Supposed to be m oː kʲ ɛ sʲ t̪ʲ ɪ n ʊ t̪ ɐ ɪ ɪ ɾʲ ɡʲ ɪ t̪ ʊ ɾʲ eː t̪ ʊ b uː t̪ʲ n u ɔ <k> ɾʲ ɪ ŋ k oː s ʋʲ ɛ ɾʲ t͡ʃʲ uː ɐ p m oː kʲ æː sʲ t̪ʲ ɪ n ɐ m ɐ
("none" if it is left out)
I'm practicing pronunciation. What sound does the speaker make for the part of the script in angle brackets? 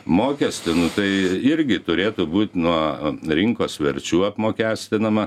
none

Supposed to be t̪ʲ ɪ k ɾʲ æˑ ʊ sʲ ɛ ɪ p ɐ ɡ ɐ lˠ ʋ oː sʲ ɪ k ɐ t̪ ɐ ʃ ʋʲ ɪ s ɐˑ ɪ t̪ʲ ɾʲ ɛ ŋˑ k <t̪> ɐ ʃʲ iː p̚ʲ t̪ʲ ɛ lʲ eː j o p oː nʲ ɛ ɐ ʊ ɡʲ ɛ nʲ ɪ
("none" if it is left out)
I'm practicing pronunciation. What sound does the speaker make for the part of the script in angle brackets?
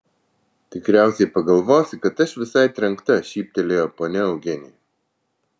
t̪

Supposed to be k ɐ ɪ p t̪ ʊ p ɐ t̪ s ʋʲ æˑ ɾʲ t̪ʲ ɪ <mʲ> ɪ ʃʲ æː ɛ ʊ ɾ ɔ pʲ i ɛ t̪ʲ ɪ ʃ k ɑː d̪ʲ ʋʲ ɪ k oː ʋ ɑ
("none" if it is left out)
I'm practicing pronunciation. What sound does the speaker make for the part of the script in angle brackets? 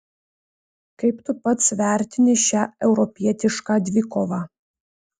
nʲ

